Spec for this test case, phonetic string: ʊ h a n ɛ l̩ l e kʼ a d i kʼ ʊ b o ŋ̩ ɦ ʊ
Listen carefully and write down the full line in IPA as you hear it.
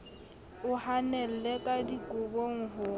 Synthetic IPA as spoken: ʊ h a n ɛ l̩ l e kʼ a d i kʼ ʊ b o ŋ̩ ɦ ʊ